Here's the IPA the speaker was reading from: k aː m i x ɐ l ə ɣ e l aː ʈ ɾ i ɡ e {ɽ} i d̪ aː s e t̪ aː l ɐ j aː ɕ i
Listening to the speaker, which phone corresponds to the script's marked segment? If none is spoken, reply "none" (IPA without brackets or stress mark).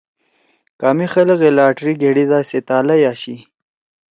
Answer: ɽ